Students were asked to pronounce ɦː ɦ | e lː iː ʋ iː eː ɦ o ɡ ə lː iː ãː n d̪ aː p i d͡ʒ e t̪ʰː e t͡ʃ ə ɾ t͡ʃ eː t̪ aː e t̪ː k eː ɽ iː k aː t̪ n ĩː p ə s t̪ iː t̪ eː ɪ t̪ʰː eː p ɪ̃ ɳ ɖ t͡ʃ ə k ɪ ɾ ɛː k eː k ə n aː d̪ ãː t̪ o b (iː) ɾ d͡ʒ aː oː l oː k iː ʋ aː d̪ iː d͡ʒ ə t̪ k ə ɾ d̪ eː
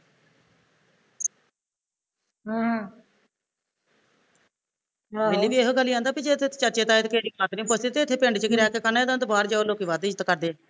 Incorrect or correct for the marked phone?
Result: incorrect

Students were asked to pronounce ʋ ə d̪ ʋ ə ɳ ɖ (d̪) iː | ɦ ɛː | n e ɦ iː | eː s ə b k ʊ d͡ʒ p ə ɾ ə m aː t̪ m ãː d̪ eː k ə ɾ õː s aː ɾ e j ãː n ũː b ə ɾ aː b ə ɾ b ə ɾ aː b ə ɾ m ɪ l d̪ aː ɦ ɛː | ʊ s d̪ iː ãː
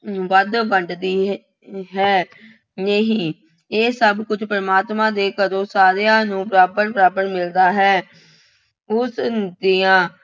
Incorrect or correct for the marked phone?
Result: correct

